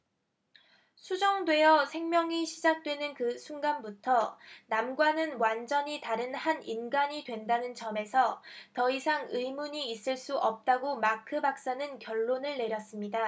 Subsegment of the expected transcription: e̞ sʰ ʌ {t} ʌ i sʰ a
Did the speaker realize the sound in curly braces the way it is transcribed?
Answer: yes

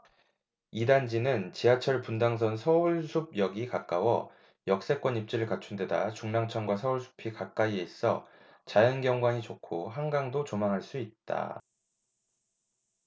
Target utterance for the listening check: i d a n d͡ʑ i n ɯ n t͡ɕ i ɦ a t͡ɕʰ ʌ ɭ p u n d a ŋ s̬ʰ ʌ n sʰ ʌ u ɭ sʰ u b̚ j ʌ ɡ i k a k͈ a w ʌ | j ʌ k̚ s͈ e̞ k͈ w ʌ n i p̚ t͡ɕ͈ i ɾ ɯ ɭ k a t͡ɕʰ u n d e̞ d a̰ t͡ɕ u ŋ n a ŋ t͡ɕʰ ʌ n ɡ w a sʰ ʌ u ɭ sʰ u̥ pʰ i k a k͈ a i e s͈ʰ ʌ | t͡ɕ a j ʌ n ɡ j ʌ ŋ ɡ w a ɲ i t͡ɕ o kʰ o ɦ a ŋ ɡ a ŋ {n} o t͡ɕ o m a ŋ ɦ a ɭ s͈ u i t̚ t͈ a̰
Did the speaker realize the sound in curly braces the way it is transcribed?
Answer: no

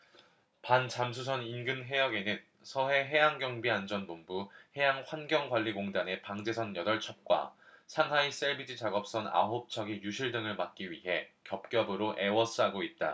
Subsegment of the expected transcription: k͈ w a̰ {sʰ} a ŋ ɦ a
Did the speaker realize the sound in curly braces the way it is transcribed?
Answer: yes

